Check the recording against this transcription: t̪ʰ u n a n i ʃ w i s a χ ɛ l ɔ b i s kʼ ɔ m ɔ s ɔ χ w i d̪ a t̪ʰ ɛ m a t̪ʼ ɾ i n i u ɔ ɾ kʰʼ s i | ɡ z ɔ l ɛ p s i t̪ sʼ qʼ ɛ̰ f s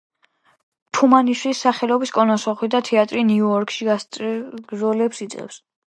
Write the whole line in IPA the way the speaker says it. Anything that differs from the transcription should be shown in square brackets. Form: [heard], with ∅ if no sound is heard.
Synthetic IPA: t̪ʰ u [m] a n i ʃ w i s a χ ɛ l ɔ b i s kʼ ɔ [n] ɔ s ɔ χ w i d̪ a t̪ʰ ɛ [∅] a t̪ʼ ɾ i n i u ɔ ɾ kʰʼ [ʃ] i | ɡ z ɔ l ɛ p s i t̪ sʼ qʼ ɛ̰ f s